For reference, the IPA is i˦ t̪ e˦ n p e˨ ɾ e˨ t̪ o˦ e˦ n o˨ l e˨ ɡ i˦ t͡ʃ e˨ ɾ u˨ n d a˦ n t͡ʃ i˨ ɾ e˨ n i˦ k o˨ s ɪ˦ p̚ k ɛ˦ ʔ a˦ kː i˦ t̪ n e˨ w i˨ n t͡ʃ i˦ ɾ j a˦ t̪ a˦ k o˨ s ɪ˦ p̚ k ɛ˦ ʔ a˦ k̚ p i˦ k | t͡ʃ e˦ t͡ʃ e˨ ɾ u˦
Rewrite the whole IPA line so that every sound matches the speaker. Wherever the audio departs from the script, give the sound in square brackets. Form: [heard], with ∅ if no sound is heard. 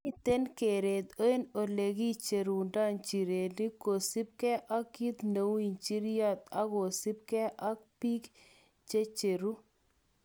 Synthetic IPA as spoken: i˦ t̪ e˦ n [k] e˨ ɾ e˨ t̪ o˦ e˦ n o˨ l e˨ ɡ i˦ t͡ʃ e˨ ɾ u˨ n d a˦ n t͡ʃ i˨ ɾ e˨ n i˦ k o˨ s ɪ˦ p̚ k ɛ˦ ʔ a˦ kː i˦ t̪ n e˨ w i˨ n t͡ʃ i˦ ɾ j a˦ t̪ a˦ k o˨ s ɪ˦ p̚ k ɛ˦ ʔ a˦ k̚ p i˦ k | t͡ʃ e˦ t͡ʃ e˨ ɾ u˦